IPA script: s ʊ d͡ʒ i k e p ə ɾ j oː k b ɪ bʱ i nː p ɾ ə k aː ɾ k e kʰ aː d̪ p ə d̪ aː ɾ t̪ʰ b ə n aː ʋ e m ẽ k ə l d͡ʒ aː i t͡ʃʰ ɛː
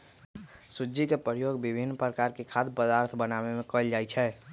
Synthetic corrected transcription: s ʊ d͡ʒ i k e p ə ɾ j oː ɡ b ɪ bʱ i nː p ɾ ə k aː ɾ k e kʰ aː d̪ p ə d̪ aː ɾ t̪ʰ b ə n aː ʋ e m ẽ k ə l d͡ʒ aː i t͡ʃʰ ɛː

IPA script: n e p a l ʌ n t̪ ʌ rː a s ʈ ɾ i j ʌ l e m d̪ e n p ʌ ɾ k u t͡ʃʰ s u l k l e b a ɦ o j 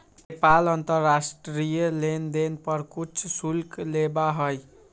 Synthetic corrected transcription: n e p a l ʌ n t̪ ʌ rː a s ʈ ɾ i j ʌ l e n d̪ e n p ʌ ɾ k u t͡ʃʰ s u l k l e b a ɦ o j

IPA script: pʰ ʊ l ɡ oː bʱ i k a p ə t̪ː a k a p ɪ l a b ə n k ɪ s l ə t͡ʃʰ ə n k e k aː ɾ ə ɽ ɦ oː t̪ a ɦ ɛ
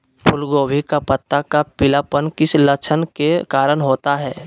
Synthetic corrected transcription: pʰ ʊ l ɡ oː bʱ i k a p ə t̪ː a k a p ɪ l a p ə n k ɪ s l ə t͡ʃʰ ə n k e k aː ɾ ə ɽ ɦ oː t̪ a ɦ ɛː

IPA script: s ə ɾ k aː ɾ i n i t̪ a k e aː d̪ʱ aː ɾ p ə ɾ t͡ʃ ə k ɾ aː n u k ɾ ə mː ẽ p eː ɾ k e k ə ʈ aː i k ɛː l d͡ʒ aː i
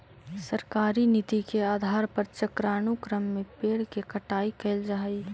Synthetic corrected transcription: s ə ɾ k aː ɾ i n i t̪ i k e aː d̪ʱ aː ɾ p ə ɾ t͡ʃ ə k ɾ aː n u k ɾ ə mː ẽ p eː ɽ k e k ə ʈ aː i k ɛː l d͡ʒ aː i

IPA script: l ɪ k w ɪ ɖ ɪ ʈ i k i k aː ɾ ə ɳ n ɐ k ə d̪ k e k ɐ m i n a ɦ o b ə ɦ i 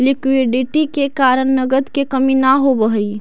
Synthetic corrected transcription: l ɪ k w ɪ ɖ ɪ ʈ i k e k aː ɾ ə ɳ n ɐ ɡ ə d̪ k e k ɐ m i n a ɦ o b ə ɦ i

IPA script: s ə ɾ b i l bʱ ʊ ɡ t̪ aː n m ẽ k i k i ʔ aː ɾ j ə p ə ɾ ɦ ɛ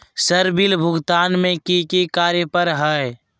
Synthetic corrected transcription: s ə ɾ b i l bʱ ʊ ɡ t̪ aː n m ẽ k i k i k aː ɾ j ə p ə ɾ ɦ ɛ

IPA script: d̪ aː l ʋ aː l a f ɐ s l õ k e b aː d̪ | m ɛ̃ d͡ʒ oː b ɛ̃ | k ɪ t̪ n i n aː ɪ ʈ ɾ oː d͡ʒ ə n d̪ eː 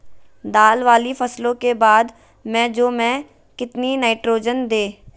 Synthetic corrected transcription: d̪ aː l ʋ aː l i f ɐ s l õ k e b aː d̪ | m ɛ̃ d͡ʒ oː m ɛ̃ | k ɪ t̪ n i n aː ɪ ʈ ɾ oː d͡ʒ ə n d̪ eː

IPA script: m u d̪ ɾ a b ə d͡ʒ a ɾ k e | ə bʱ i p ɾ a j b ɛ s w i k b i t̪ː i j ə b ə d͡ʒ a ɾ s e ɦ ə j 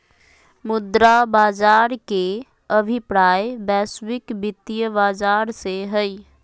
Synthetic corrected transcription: m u d̪ ɾ a b a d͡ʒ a ɾ k e | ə bʱ i p ɾ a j b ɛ s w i k b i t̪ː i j ə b a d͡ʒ a ɾ s e ɦ ə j

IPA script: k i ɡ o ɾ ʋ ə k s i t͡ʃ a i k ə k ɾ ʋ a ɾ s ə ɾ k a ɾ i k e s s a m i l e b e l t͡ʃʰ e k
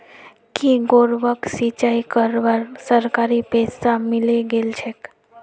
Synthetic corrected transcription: k i ɡ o ɾ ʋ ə k s i t͡ʃ a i k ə ɾ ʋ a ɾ s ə ɾ k a ɾ i p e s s a m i l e ɡ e l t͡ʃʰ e k

